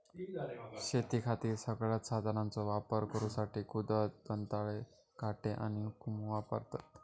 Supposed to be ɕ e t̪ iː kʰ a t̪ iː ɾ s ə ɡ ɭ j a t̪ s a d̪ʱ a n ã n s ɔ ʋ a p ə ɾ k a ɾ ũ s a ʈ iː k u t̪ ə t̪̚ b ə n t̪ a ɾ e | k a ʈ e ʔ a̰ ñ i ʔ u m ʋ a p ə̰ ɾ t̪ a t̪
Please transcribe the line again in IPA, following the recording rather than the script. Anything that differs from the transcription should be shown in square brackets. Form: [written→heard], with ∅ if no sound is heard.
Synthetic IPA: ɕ e t̪ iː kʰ a t̪ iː ɾ s ə ɡ ɭ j a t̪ s a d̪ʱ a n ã n [s→t͡s] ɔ ʋ a p ə ɾ k [a→ə] ɾ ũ s a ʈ iː k u [t̪→d̪] ə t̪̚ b ə n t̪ a [ɾ→ɭ] e | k a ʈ e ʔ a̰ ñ i [ʔ→k] u m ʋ a p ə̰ ɾ t̪ a t̪